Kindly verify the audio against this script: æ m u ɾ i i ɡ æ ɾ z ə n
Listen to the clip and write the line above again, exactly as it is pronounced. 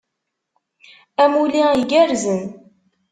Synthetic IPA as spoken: æ m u l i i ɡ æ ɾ z ə n